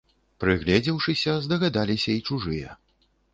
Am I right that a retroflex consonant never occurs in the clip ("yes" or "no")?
no